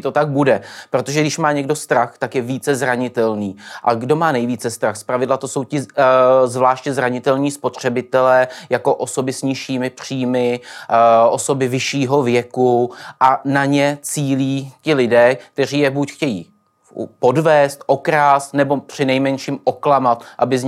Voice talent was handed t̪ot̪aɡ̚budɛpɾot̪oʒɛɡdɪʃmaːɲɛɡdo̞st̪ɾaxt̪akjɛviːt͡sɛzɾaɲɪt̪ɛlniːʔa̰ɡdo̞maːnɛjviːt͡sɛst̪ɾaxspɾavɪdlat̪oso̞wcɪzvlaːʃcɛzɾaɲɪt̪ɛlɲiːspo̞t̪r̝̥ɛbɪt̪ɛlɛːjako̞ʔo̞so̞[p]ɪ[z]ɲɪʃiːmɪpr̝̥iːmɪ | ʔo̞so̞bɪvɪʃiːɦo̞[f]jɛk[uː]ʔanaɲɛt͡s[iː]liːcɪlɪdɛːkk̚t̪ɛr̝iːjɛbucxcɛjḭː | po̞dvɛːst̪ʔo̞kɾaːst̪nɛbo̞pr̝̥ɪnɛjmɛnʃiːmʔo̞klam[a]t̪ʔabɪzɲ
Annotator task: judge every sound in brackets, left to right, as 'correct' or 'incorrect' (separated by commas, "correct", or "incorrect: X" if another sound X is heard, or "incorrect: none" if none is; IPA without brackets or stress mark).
incorrect: b, incorrect: s, incorrect: v, incorrect: u, correct, correct